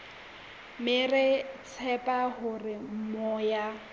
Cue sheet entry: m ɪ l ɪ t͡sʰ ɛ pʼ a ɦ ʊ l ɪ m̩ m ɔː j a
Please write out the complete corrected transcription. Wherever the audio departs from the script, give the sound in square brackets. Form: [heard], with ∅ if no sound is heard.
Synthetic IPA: m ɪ [r] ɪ t͡sʰ ɛ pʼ a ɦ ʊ [r] ɪ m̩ m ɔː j a